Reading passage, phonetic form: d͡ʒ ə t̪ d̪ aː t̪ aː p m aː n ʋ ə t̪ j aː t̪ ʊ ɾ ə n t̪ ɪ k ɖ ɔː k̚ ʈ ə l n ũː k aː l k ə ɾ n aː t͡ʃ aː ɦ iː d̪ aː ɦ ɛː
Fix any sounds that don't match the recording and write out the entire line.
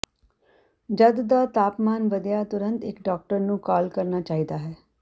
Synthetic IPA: d͡ʒ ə d̪ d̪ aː t̪ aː p m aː n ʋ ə d̪ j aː t̪ ʊ ɾ ə n t̪ ɪ k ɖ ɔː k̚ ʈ ə ɾ n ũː k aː l k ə ɾ n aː t͡ʃ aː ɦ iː d̪ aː ɦ ɛː